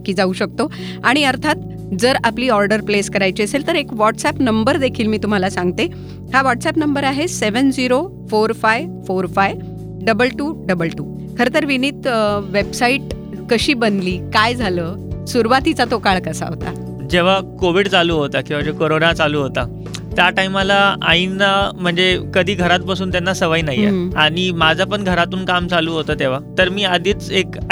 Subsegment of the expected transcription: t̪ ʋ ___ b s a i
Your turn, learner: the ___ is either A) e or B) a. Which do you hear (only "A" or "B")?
A